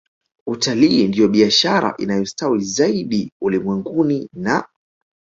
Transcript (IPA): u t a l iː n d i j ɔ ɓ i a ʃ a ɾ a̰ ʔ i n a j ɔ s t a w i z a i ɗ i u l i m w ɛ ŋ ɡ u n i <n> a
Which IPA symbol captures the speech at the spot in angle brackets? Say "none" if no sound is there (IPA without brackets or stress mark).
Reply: n